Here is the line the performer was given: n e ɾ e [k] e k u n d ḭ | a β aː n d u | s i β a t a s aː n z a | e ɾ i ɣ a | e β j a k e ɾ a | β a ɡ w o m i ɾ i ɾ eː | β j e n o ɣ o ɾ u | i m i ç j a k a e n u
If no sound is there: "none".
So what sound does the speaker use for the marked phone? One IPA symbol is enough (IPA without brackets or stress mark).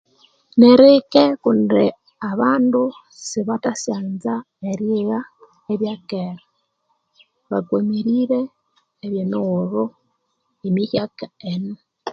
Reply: k